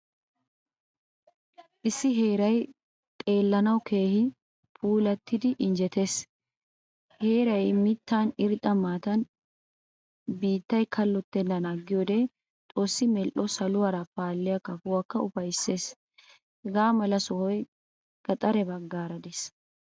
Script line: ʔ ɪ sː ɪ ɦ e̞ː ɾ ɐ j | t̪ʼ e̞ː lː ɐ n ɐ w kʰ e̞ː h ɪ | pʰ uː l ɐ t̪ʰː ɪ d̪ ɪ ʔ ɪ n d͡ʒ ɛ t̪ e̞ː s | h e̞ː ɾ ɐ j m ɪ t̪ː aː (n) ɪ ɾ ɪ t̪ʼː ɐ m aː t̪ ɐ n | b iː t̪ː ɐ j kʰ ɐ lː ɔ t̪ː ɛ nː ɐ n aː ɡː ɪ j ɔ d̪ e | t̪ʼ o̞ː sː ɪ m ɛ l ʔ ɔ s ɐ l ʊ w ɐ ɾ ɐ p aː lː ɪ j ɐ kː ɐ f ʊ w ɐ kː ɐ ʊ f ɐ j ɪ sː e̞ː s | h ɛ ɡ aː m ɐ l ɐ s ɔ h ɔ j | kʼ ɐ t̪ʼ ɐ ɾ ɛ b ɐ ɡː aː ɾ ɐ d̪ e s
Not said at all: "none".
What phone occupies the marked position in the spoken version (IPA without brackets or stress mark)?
n